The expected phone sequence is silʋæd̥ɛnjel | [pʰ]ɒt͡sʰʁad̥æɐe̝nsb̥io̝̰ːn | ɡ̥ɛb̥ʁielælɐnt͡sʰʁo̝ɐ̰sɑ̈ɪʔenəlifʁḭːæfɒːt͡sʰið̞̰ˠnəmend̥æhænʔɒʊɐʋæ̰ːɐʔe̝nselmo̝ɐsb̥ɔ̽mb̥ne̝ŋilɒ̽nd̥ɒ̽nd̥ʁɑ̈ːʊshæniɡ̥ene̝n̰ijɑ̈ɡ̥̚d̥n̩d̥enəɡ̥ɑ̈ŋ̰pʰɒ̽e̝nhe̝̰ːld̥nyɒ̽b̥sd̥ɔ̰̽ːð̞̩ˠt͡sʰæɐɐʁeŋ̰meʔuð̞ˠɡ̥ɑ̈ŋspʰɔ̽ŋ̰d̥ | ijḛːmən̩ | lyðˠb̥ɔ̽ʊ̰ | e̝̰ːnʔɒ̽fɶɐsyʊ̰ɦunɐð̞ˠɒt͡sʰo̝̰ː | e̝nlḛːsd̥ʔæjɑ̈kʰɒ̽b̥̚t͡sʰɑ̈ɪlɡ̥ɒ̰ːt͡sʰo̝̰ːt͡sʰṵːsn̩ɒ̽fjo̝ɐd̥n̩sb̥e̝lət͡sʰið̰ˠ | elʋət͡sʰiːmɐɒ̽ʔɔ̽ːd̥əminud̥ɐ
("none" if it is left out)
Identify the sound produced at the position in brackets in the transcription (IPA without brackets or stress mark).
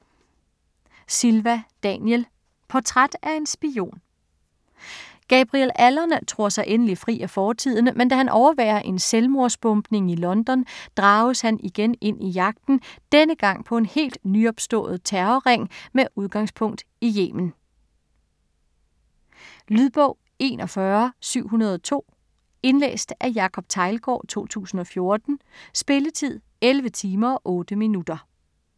pʰ